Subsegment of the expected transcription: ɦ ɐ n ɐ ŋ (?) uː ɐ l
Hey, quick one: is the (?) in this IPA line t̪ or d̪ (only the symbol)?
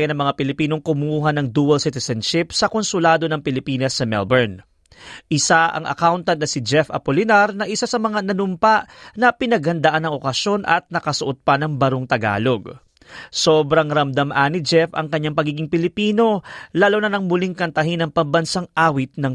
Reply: d̪